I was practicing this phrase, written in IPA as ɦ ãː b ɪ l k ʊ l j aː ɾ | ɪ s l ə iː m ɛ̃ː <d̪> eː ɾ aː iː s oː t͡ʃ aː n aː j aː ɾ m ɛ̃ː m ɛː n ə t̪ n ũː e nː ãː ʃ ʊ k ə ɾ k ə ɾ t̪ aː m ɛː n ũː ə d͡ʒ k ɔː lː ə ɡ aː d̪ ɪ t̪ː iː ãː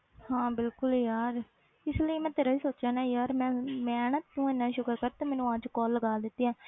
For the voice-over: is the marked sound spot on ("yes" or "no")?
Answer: no